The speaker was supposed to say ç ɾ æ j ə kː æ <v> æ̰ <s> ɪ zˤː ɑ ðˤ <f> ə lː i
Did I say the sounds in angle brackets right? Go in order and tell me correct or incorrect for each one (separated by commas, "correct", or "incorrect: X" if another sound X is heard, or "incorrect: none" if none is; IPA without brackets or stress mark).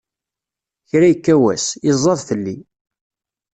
incorrect: w, correct, incorrect: θ